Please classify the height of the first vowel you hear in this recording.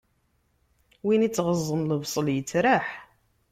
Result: high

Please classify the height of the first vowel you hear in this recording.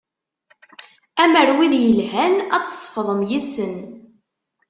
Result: low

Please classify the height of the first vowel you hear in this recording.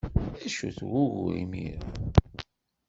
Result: low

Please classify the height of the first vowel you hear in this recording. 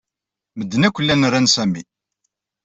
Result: mid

